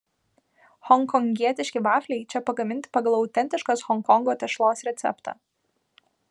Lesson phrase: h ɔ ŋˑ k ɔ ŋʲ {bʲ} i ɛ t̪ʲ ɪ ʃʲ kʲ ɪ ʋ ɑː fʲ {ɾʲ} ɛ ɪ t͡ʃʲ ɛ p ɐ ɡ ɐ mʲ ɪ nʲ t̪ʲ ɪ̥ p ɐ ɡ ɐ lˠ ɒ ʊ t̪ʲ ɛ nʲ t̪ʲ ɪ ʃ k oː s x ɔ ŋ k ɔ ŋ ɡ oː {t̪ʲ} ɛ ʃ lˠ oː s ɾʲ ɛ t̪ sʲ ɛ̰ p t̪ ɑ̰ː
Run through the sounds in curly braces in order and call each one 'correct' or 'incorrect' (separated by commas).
incorrect, incorrect, correct